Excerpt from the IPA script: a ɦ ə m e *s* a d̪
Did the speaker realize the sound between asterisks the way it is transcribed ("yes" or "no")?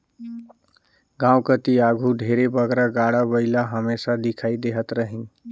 yes